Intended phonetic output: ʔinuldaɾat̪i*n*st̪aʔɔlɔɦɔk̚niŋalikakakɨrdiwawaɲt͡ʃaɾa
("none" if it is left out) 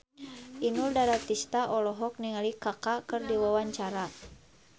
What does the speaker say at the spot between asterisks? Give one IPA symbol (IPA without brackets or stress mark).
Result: none